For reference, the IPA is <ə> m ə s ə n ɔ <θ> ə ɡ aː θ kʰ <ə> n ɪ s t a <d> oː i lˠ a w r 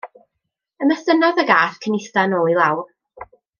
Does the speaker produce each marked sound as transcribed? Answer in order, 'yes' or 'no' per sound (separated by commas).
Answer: yes, no, yes, no